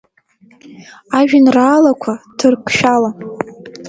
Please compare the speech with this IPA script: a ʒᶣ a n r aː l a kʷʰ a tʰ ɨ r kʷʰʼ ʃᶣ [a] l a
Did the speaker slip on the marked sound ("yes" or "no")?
no